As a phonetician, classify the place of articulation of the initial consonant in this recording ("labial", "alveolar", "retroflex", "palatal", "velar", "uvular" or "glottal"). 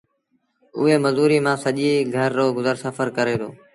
glottal